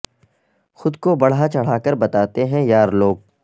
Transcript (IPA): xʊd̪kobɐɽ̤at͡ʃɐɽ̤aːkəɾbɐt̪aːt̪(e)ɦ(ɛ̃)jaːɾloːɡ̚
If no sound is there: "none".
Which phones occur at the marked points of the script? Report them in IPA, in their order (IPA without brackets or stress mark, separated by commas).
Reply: e, ɛ̃